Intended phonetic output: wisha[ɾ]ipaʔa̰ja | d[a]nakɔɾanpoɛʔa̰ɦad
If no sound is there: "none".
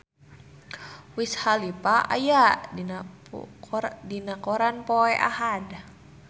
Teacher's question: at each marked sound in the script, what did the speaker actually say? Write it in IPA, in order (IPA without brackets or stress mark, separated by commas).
l, i